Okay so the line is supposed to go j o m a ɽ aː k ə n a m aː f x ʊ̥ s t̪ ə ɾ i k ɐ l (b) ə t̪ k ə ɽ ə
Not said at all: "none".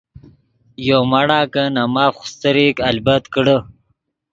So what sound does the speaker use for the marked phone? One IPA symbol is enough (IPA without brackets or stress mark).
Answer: b